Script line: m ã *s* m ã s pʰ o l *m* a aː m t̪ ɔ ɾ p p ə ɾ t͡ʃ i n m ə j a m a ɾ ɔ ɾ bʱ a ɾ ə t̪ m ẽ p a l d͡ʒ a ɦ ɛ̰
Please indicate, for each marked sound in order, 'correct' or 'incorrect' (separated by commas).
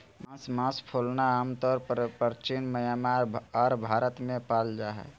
correct, incorrect